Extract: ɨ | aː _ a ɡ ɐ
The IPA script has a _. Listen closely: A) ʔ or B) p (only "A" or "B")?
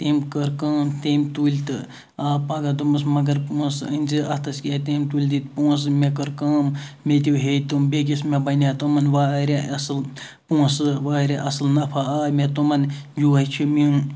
B